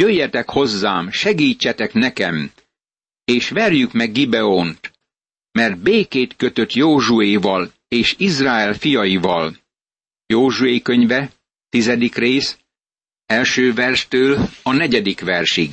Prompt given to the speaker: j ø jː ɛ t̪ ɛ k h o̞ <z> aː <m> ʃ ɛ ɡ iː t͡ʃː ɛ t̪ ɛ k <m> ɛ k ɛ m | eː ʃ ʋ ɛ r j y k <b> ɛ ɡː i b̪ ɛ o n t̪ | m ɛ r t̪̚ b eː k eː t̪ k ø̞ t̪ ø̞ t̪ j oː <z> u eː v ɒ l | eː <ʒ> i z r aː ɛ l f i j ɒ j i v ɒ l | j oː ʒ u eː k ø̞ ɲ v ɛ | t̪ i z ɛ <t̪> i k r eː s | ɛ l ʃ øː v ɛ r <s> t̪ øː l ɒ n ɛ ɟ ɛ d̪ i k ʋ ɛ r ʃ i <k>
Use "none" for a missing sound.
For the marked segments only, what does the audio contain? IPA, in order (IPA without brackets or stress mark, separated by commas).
zː, m, n, m, ʒ, ʃ, d̪, ʃ, ɡ